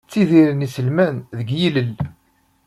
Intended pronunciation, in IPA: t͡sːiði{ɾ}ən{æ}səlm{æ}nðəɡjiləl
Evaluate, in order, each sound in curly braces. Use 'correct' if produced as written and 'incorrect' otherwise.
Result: correct, incorrect, correct

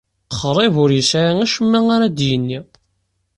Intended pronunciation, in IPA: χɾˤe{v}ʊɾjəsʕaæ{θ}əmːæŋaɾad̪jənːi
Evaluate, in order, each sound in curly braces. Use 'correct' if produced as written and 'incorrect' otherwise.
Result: correct, incorrect

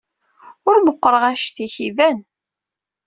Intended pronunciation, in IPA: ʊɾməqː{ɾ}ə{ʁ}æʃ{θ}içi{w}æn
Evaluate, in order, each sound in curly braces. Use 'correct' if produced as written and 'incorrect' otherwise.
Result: correct, correct, correct, incorrect

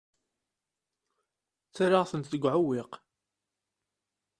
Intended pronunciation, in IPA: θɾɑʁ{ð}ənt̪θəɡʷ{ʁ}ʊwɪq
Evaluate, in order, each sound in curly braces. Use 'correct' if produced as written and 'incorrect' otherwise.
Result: incorrect, incorrect

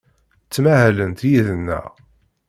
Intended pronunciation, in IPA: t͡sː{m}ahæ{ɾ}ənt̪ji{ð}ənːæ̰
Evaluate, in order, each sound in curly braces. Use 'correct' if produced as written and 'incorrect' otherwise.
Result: correct, incorrect, correct

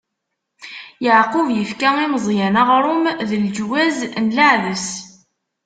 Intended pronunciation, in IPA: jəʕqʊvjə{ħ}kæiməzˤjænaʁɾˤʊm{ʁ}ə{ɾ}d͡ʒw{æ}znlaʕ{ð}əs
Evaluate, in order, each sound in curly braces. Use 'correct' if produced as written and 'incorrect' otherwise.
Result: incorrect, incorrect, incorrect, correct, correct

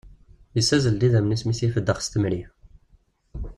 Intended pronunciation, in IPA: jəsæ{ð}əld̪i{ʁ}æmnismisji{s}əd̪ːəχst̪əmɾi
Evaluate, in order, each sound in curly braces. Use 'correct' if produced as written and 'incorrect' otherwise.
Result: incorrect, incorrect, incorrect

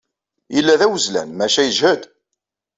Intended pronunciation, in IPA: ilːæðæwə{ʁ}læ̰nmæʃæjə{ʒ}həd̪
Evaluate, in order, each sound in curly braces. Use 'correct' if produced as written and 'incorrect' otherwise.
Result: incorrect, correct

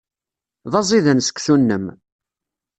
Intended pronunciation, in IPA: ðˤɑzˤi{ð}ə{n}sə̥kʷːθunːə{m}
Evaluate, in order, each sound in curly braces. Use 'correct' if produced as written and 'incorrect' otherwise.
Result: correct, correct, correct

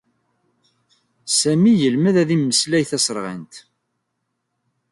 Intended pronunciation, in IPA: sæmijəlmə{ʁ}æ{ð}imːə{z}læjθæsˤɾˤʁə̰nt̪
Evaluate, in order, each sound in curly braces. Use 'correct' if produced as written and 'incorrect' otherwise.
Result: incorrect, correct, incorrect

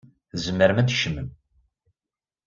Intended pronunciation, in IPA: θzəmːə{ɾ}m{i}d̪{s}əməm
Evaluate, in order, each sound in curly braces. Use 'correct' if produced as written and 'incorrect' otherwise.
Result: correct, incorrect, incorrect

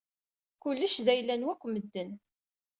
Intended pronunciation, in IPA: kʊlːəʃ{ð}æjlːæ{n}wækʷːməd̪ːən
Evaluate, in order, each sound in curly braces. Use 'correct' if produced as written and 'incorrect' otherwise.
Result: correct, correct

